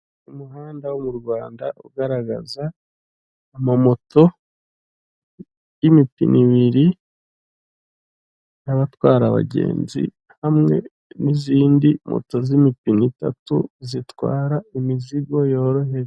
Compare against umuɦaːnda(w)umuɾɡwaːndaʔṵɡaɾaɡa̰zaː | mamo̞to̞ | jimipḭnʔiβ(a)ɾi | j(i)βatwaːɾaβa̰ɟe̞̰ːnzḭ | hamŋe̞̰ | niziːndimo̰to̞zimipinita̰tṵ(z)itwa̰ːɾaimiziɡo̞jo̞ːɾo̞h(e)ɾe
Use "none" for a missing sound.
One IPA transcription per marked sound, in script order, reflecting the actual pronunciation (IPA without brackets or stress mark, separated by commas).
w, i, a, z, e